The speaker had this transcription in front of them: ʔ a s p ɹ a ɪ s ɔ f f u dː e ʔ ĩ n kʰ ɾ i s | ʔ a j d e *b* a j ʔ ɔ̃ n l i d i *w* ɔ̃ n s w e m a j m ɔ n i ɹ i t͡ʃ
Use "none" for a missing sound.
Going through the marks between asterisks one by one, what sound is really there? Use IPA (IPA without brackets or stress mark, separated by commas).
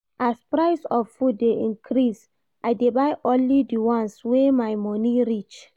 b, w